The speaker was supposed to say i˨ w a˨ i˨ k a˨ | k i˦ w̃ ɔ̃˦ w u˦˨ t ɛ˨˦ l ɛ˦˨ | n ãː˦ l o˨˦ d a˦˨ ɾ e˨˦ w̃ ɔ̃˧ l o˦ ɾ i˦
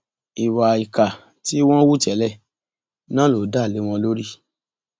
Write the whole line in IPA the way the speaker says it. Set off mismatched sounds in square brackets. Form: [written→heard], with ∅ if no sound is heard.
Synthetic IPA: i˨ w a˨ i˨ k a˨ | [k→t] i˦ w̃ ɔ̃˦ w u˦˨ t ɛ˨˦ l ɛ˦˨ | n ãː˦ l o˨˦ d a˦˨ [ɾ→l] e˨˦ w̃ ɔ̃˧ l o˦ ɾ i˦